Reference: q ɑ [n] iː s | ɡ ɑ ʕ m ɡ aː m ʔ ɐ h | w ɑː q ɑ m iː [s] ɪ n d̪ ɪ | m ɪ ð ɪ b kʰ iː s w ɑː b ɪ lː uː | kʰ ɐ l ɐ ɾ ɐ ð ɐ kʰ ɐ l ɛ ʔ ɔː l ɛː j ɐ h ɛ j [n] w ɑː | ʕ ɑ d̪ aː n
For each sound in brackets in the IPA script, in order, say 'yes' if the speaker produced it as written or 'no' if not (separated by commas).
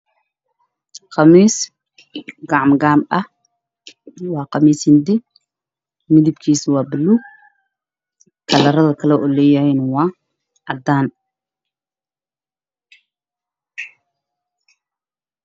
no, yes, yes